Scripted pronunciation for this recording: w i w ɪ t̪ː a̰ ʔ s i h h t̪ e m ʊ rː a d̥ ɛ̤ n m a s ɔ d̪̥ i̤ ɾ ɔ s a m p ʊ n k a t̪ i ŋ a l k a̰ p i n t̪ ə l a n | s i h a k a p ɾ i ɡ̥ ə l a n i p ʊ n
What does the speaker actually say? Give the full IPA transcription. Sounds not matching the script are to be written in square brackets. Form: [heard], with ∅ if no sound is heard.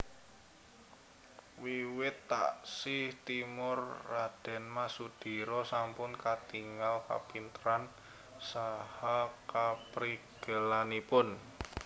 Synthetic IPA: w i w ɪ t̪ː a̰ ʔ s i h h t̪ [i] m ʊ rː a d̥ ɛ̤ n m a s [u] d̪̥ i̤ ɾ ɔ s a m p ʊ n k a t̪ i ŋ a l k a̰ p i n t̪ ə [ɾ] a n | s [a] h a k a p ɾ i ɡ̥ ə l a n i p ʊ n